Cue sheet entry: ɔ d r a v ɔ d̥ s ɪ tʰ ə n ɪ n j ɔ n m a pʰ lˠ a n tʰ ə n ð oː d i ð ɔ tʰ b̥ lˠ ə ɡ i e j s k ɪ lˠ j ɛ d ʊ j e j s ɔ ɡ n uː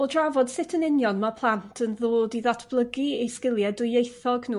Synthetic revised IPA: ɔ d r a v ɔ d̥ s ɪ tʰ ə n ɪ n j ɔ n m a pʰ lˠ a n tʰ ə n ð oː d i ð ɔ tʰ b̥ lˠ ə ɡ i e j s k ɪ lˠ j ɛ d ʊ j e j θ ɔ ɡ n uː